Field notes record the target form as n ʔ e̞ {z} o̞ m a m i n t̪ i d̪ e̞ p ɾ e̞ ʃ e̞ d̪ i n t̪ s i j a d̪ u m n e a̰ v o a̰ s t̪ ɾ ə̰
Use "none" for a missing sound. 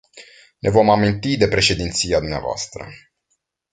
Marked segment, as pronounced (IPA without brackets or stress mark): v